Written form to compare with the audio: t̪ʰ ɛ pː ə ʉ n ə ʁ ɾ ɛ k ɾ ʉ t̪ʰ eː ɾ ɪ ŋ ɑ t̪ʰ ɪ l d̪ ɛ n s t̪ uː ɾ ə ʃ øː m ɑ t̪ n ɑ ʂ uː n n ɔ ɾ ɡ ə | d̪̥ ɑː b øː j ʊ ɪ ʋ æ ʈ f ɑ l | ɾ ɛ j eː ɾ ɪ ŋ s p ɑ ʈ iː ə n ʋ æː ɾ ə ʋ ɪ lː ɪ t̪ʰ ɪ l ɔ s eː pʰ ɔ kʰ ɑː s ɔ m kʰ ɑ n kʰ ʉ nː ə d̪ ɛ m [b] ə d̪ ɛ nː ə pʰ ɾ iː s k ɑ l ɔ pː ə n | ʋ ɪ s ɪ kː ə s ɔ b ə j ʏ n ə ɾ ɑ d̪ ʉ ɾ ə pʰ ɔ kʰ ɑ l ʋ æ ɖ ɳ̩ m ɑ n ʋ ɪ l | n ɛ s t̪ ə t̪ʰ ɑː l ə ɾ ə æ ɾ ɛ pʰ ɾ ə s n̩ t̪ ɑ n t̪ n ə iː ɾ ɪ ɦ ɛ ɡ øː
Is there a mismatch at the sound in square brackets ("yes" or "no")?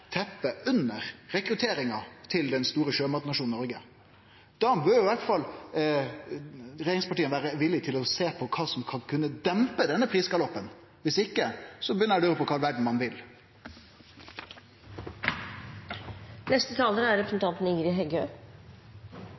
yes